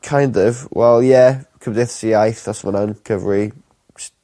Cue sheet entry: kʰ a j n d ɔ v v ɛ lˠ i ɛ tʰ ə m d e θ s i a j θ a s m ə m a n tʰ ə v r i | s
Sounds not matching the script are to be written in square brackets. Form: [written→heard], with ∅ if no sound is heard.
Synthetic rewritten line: kʰ a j n d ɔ v [v→w] ɛ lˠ [i→j] ɛ [tʰ→kʰ] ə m d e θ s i a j θ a s m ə [m→n] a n [tʰ→kʰ] ə v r i | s